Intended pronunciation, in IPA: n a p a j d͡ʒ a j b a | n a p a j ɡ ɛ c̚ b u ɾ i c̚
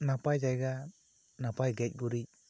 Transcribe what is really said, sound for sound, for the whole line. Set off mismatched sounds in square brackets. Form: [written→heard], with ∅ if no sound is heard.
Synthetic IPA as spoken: n a p a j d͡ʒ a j [b→ɡ] a | n a p a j ɡ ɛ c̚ [b→ɡ] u ɾ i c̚